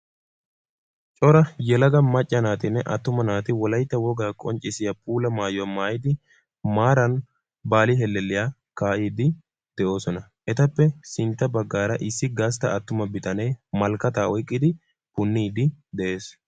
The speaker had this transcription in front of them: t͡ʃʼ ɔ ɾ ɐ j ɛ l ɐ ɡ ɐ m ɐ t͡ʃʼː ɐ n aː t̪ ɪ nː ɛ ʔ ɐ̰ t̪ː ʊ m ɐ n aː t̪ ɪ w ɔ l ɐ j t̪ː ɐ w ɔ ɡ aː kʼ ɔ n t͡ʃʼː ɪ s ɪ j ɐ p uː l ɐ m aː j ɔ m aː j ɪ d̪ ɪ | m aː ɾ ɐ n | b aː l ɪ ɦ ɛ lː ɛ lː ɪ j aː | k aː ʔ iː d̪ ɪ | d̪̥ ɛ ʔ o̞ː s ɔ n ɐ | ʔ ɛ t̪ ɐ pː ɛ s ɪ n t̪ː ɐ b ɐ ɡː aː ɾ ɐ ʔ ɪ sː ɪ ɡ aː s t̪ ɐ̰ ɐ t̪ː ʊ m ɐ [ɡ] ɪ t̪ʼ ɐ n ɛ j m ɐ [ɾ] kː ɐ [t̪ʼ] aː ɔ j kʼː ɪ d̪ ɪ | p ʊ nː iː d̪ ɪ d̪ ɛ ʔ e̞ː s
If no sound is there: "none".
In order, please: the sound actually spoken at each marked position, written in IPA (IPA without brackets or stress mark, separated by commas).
b, l, t̪